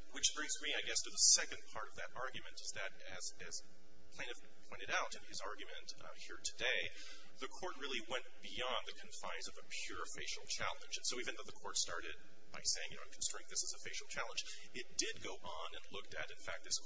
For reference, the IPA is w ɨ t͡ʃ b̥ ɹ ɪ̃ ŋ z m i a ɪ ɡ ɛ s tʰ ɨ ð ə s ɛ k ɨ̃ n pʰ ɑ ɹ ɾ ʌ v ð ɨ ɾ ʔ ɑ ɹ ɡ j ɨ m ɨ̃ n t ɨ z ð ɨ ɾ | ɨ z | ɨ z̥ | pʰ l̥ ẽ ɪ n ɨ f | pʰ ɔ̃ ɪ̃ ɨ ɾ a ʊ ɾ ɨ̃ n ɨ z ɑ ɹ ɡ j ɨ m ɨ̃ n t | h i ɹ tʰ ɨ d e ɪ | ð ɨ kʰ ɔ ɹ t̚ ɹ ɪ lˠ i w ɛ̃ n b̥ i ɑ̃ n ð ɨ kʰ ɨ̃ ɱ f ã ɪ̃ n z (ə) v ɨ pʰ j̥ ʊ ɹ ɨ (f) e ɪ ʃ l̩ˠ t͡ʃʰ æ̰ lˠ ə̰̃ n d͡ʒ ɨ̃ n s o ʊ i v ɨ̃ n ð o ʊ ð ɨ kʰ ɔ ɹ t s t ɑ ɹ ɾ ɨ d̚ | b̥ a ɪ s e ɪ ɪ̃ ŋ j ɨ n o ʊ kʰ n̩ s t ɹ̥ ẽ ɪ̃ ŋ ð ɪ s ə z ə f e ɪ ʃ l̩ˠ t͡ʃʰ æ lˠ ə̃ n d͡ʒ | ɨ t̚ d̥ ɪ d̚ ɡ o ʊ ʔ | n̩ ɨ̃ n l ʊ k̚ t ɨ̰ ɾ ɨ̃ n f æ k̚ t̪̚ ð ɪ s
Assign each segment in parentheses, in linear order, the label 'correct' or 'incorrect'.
incorrect: ʌ, correct

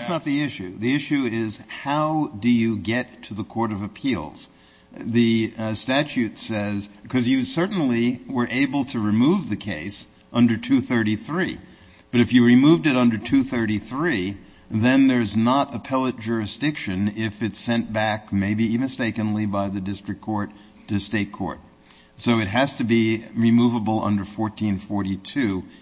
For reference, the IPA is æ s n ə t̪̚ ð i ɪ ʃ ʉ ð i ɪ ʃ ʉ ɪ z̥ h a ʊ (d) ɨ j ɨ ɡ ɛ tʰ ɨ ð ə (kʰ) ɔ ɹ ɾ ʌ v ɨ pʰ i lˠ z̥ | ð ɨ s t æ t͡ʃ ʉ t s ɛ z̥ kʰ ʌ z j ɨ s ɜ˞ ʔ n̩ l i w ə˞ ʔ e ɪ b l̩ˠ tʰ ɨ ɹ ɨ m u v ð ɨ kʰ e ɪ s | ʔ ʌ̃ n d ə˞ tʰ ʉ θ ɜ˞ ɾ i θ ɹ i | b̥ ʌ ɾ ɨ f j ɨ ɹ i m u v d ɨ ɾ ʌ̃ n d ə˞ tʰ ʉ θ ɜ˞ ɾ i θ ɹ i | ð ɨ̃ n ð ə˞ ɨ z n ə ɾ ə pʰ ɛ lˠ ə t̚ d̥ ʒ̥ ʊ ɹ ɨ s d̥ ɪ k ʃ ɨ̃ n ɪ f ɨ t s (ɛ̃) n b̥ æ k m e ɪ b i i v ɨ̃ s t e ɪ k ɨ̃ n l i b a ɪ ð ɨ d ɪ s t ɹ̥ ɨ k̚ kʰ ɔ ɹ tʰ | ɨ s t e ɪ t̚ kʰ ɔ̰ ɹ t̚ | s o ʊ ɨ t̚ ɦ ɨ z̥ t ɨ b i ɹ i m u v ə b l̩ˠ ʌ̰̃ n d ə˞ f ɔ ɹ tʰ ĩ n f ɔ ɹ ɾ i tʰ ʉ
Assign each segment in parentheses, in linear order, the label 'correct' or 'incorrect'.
correct, correct, correct

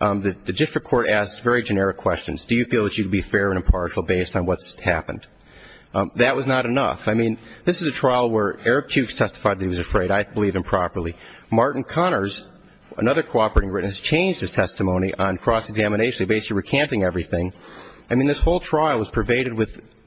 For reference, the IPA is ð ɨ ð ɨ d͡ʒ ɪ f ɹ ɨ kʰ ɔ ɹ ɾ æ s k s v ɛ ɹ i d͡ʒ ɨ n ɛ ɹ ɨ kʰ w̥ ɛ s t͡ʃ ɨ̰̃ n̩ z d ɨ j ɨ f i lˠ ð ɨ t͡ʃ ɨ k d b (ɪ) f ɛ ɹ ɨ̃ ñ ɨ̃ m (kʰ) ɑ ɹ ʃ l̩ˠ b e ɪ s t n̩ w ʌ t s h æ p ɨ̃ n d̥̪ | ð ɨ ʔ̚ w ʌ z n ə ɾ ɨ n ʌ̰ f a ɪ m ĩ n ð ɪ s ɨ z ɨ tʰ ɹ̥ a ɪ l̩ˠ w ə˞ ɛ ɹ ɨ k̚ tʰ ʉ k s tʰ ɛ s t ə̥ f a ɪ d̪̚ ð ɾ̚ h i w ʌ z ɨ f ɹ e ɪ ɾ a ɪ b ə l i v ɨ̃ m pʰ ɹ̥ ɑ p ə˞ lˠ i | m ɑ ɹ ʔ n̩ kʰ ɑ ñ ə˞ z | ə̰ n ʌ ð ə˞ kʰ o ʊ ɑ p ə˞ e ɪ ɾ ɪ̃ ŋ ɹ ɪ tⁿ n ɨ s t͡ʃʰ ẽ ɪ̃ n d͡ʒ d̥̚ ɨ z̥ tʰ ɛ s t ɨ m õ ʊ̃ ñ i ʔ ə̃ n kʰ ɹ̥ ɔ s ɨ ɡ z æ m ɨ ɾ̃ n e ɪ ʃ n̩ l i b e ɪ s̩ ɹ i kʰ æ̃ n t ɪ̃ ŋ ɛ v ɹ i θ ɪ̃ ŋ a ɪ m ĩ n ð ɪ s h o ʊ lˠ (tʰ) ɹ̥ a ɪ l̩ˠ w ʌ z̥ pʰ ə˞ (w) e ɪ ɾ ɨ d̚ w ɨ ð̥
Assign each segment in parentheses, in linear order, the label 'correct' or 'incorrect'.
incorrect: i, incorrect: pʰ, correct, incorrect: v

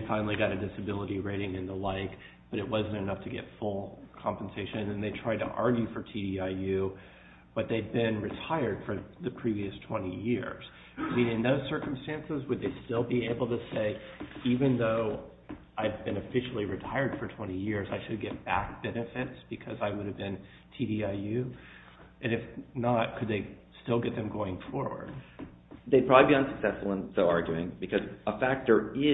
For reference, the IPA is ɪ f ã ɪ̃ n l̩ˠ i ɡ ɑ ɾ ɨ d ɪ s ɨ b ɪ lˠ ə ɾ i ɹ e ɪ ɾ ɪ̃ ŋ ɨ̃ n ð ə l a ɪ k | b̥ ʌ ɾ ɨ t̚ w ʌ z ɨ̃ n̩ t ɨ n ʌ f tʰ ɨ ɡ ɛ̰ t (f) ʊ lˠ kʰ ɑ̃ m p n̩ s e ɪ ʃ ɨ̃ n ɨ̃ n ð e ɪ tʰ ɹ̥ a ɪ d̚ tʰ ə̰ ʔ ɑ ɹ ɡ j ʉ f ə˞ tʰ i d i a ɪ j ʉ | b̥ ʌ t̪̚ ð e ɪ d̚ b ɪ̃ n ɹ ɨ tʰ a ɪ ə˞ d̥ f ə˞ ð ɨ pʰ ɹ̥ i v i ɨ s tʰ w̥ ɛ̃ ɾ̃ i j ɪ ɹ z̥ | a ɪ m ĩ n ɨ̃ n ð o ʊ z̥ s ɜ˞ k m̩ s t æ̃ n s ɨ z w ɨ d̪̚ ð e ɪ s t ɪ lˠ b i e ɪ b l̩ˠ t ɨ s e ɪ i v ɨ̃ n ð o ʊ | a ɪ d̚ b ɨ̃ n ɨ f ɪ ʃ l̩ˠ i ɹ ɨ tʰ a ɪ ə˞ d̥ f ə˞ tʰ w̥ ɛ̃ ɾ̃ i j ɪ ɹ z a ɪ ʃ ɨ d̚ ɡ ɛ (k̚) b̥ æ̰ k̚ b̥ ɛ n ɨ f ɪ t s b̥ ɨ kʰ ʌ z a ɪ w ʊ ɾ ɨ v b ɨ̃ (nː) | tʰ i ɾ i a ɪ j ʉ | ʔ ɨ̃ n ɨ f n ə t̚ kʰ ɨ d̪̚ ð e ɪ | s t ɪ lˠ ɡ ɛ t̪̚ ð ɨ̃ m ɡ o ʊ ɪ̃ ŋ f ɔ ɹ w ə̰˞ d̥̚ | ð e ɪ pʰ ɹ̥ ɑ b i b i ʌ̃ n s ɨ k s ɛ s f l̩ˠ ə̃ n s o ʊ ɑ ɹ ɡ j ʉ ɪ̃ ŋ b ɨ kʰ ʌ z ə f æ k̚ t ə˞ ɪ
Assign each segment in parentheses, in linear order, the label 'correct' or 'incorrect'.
correct, incorrect: t̚, incorrect: n

